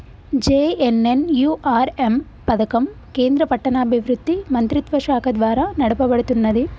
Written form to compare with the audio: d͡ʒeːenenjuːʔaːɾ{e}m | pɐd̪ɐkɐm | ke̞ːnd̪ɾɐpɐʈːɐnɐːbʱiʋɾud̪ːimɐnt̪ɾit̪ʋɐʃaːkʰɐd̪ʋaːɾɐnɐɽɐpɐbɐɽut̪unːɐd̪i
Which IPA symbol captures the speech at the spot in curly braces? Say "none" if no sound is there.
e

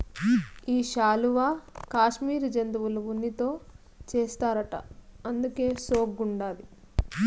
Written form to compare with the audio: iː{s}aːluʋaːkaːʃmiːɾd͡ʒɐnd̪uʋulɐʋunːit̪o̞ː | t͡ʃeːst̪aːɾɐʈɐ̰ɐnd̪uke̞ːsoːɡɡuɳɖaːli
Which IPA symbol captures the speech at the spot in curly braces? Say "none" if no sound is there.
ʃ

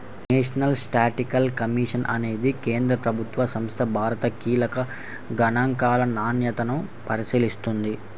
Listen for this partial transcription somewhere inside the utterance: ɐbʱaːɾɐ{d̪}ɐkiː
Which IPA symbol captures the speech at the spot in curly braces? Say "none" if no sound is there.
t̪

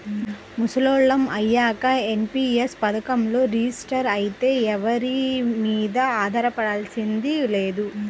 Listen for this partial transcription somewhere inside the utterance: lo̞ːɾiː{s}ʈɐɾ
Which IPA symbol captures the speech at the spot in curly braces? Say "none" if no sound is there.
s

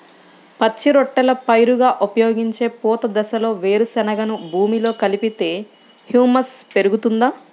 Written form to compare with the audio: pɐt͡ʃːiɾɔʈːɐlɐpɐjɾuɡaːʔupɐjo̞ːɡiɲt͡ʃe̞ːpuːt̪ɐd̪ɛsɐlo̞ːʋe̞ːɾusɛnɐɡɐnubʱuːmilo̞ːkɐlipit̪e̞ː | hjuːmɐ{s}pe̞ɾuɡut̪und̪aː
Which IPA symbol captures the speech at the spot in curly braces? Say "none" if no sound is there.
s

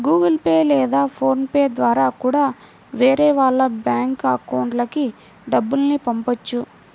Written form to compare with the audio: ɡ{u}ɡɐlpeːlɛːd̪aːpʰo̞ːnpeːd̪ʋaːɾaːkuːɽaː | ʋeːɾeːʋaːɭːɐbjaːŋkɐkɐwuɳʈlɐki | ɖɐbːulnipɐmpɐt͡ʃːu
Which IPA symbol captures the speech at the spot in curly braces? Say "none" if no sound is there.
uː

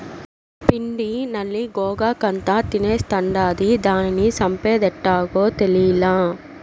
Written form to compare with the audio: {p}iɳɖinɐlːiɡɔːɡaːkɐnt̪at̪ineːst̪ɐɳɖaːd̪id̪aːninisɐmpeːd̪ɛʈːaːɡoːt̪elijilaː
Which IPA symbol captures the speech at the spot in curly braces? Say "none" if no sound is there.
p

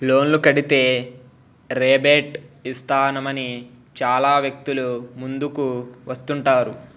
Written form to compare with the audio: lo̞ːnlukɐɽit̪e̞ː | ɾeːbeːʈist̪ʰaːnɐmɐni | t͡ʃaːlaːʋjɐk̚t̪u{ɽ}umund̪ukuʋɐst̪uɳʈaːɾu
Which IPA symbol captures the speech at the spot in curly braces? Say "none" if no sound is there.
l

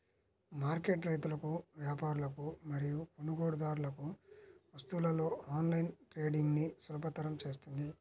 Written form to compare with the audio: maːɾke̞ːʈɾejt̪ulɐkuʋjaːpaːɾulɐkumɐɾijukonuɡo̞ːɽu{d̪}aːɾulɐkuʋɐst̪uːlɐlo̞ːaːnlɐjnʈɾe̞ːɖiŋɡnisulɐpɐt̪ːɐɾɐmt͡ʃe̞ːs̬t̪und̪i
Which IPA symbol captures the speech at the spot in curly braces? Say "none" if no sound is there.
d̪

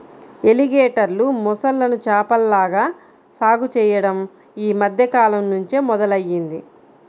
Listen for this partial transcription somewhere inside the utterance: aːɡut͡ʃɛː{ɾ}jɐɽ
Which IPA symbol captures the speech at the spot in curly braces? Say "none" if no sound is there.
none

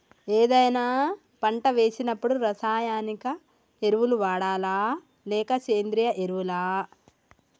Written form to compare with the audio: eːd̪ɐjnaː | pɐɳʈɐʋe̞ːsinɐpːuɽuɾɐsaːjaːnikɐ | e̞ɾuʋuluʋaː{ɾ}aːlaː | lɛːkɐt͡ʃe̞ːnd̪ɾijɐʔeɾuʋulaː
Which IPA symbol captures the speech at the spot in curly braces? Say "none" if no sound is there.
ɽ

